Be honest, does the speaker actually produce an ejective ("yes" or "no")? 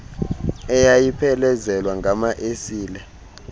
no